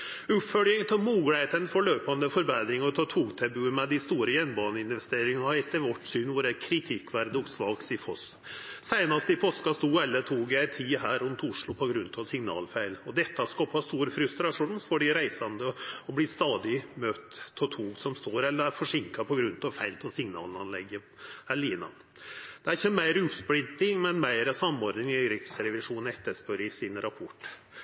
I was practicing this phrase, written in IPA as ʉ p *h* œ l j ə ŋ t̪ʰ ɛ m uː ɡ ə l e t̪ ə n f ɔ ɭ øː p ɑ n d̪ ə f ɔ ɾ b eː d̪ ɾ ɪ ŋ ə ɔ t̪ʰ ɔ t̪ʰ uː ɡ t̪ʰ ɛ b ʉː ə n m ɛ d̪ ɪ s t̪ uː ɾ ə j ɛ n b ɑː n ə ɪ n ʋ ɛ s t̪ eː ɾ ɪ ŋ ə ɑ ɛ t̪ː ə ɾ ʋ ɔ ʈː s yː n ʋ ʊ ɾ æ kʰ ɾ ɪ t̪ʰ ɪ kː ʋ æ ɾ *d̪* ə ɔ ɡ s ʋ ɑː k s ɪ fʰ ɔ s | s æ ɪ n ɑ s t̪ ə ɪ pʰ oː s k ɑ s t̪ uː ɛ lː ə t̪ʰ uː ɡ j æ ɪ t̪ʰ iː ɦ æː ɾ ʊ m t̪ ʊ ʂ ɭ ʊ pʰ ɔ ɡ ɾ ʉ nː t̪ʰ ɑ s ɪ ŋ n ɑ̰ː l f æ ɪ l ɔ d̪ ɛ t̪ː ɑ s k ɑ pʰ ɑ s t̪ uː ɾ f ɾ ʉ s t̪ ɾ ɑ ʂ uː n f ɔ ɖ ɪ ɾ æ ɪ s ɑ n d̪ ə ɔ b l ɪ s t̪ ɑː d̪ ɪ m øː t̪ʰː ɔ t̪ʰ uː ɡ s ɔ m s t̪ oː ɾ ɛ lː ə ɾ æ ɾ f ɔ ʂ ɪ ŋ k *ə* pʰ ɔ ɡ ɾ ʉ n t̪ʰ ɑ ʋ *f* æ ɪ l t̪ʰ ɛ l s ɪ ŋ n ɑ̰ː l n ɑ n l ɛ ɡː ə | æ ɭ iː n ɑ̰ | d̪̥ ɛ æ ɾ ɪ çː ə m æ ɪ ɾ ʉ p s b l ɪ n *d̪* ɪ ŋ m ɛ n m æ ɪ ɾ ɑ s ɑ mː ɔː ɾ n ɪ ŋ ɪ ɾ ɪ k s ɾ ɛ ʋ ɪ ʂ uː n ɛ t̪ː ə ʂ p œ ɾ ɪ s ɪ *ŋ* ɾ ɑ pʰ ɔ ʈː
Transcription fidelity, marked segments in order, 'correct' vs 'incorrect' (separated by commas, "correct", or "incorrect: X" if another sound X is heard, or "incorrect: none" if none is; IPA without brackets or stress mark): incorrect: f, correct, incorrect: ɑ, correct, incorrect: t̪, incorrect: n